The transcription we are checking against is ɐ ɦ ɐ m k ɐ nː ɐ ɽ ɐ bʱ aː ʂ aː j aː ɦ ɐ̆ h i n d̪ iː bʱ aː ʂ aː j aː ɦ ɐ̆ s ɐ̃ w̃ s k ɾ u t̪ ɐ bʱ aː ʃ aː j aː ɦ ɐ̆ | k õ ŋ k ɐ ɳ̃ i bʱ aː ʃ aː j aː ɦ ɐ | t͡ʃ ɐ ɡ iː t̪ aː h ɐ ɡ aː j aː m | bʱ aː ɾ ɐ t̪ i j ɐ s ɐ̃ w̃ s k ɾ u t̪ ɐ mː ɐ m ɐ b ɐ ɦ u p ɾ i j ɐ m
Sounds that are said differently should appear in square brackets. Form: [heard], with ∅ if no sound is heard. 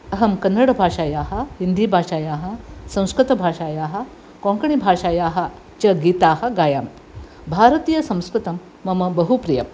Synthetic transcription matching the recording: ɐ ɦ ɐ m k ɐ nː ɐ ɽ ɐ bʱ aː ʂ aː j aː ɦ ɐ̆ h i n d̪ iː bʱ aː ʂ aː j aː ɦ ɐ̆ s ɐ̃ w̃ s k ɾ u t̪ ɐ bʱ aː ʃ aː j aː ɦ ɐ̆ | k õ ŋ k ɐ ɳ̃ i bʱ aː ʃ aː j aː ɦ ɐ | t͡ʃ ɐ ɡ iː t̪ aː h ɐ ɡ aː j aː m | bʱ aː ɾ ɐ t̪ i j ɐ s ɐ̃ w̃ s k ɾ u t̪ ɐ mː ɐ m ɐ b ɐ ɦ u p ɾ i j ɐ m

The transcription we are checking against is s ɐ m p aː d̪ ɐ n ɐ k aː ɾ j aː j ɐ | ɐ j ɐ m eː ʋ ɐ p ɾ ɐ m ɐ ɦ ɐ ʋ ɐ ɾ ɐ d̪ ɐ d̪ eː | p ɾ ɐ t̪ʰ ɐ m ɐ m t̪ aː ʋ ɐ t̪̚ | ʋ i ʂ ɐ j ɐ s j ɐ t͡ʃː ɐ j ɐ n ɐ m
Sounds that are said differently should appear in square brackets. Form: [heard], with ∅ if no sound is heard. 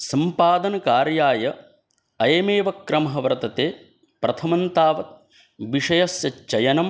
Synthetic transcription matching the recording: s ɐ m p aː d̪ ɐ n ɐ k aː ɾ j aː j ɐ | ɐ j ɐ m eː ʋ ɐ [k] ɾ ɐ m ɐ ɦ ɐ ʋ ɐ ɾ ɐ [t̪] ɐ [t̪] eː | p ɾ ɐ t̪ʰ ɐ m ɐ [n] t̪ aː ʋ ɐ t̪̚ | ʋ i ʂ ɐ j ɐ s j ɐ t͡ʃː ɐ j ɐ n ɐ m

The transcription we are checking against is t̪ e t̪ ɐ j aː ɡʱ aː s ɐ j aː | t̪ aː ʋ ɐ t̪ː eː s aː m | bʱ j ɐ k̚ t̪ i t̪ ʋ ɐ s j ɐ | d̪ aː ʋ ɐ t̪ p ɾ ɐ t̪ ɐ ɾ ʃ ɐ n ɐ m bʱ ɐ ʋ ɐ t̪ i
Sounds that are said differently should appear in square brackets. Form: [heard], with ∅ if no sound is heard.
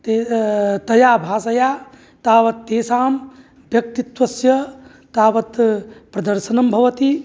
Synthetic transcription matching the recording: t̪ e t̪ ɐ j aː [bʱ] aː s ɐ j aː | t̪ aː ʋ ɐ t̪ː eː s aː m | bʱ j ɐ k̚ t̪ i t̪ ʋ ɐ s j ɐ | [t̪] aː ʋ ɐ t̪ p ɾ ɐ [d̪] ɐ ɾ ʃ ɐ n ɐ m bʱ ɐ ʋ ɐ t̪ i

